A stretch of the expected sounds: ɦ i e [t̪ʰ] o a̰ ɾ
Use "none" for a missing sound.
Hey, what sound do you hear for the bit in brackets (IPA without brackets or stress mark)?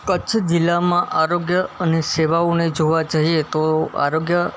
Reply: t̪